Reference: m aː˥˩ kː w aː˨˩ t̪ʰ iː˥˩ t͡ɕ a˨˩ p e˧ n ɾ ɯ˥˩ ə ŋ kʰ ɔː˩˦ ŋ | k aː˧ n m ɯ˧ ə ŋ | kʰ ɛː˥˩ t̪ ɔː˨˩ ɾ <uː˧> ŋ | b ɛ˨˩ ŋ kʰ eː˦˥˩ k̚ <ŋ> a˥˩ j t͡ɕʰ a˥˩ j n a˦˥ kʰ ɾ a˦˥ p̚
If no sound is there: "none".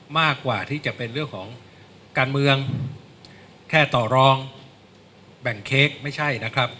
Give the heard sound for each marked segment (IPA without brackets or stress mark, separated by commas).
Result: ɔː˧, m